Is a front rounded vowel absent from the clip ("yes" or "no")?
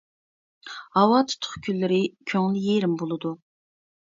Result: no